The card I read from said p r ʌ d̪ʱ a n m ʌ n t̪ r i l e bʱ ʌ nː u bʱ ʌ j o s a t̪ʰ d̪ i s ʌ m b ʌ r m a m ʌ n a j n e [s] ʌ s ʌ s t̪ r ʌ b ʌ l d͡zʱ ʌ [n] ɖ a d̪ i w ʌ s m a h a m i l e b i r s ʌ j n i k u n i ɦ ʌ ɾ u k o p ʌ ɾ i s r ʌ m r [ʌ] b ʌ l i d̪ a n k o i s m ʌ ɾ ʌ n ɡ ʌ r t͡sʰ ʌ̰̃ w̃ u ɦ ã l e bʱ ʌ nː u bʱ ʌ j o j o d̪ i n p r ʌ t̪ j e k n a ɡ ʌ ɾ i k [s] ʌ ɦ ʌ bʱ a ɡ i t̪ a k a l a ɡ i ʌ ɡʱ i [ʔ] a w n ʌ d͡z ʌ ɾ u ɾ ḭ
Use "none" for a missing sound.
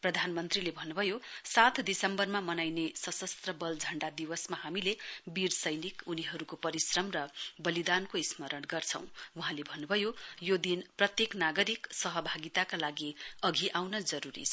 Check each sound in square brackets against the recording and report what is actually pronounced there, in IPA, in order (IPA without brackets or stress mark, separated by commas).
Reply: s, ɳ, ʌ, s, ʔ